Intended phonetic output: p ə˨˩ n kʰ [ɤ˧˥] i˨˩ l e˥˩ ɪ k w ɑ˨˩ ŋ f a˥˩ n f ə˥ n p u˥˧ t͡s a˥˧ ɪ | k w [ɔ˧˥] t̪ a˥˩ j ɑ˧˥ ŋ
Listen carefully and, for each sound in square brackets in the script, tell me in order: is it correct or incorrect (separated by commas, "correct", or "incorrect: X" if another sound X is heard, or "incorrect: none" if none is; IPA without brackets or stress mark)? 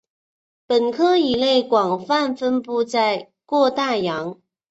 incorrect: ɤ˥, incorrect: ɔ˥˧